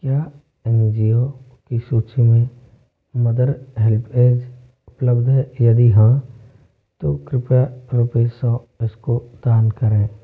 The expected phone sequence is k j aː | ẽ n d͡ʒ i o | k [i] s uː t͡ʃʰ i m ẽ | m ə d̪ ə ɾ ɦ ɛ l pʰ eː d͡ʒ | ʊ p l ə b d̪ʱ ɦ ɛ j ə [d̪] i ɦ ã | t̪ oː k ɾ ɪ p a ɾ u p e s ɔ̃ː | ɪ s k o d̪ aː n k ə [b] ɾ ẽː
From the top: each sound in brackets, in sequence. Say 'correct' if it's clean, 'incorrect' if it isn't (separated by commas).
correct, correct, incorrect